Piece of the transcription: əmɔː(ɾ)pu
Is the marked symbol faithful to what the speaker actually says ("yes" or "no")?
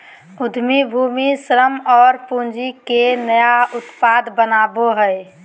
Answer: yes